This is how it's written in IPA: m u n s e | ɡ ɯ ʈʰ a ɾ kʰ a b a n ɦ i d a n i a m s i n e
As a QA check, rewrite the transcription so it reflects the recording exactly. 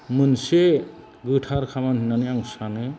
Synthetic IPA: m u n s e | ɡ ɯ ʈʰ a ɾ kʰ a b a n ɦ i n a n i a ŋ s a n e